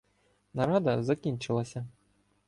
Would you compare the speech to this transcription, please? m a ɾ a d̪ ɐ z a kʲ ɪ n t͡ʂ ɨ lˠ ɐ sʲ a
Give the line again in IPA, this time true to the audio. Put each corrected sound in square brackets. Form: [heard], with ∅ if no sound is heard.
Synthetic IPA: [n] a ɾ a d̪ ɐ z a kʲ [i] n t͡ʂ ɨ lˠ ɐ sʲ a